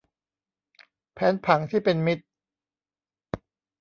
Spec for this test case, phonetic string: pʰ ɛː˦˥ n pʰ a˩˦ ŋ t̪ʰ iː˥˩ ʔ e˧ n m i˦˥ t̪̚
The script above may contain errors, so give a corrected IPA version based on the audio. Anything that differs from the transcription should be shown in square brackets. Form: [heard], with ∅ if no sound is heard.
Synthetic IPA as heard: pʰ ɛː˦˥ n pʰ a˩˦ ŋ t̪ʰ iː˥˩ [p] e˧ n m i˦˥ t̪̚